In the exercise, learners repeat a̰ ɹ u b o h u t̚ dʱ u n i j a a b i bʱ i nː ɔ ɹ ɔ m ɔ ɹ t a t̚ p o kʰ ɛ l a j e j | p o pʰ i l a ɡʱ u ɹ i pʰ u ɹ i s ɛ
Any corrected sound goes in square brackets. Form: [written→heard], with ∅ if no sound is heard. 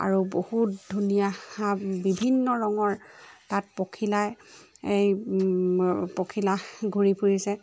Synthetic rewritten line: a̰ ɹ u b o h u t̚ dʱ u n i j a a b i bʱ i nː ɔ ɹ ɔ [m→ŋ] ɔ ɹ t a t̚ p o kʰ [ɛ→i] l a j e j | p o [pʰ→kʰ] i l a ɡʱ u ɹ i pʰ u ɹ i s ɛ